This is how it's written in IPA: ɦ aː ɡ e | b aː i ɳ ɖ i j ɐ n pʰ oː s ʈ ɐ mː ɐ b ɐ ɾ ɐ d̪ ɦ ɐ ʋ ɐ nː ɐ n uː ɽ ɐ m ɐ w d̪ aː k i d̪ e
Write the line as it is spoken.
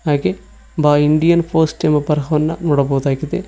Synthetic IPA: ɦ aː ɡ e | b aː i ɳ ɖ i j ɐ n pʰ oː s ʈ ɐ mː ɐ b ɐ ɾ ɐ ɦ ɐ ʋ ɐ nː ɐ n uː ɽ ɐ b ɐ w d̪ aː ɡ i d̪ e